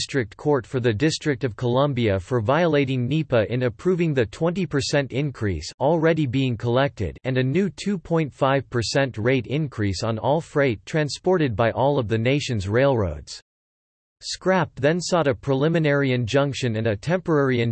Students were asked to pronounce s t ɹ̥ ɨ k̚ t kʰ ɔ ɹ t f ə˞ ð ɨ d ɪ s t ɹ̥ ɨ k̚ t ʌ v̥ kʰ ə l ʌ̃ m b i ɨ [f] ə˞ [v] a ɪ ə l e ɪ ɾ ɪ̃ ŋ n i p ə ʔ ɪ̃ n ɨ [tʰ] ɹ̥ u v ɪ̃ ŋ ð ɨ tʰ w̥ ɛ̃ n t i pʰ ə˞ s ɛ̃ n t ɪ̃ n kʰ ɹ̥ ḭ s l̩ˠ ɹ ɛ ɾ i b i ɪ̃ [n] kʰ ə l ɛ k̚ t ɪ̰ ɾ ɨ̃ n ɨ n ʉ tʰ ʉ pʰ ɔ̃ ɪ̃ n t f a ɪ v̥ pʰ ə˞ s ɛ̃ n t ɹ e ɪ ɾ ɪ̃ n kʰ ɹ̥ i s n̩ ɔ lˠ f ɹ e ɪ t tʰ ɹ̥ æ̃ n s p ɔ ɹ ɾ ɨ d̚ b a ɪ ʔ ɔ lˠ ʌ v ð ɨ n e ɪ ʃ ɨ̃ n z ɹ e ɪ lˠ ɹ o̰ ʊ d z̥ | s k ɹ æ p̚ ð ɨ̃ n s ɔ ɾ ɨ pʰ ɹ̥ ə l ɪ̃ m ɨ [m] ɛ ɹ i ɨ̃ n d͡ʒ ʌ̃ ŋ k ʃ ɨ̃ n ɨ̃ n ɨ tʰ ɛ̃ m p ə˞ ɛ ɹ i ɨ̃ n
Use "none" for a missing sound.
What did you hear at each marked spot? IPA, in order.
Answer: f, v, pʰ, ŋ, n

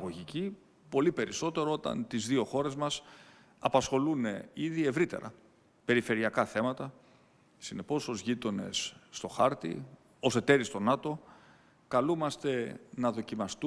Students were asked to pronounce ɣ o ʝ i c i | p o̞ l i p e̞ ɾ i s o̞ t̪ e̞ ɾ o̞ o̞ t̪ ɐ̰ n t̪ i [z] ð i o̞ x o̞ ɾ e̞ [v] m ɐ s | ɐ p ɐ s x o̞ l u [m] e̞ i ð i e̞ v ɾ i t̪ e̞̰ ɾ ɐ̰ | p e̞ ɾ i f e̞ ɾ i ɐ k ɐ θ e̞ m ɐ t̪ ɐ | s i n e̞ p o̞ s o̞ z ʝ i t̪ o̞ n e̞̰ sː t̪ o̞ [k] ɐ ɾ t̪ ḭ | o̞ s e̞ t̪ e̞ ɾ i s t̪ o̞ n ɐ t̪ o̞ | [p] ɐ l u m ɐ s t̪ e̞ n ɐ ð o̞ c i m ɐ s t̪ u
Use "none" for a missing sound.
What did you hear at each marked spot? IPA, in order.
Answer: z, z, n, x, k

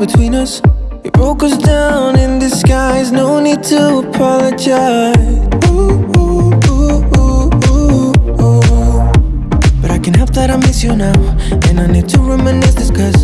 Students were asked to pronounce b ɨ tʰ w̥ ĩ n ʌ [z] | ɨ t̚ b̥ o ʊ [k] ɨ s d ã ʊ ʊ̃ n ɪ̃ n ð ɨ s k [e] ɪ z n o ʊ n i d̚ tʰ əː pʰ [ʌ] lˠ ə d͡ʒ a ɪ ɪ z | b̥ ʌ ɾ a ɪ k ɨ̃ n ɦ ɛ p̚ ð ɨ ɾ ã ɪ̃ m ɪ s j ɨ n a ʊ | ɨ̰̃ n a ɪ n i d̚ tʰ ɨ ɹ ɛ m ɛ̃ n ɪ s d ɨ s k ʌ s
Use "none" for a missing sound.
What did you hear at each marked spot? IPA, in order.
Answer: s, k, a, ɑ

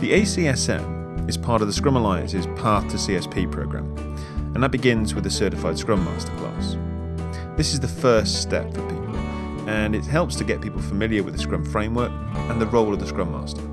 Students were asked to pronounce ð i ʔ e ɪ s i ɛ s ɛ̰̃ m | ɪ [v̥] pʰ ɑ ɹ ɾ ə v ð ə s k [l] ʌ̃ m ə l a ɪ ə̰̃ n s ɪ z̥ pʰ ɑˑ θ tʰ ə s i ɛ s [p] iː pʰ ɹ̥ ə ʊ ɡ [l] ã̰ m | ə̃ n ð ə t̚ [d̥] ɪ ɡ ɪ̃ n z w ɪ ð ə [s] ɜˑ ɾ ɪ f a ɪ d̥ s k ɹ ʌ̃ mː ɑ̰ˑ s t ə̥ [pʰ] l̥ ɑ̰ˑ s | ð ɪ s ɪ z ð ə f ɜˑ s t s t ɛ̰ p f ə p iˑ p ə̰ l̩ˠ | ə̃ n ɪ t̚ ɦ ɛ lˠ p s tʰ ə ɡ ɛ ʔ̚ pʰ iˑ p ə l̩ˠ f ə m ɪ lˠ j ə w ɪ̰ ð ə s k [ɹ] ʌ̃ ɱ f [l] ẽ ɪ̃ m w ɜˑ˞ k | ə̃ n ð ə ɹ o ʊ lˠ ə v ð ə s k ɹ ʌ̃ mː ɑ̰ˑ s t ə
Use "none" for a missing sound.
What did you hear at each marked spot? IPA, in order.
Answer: z̥, ɹ, pʰ, ɹ, b̥, s, kʰ, ɹ, ɹ

